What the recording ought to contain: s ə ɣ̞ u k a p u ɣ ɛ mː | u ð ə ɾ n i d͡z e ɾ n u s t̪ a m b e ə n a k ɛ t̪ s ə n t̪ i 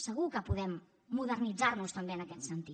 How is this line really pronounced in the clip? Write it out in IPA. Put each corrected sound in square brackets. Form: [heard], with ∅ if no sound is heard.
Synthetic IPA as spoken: s ə ɣ̞ u k [ə] p u [ð] ɛ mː | u ð ə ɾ n i d͡z [a] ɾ n u s t̪ [ə] m b e ə n [ə] k ɛ t̪ s ə n t̪ i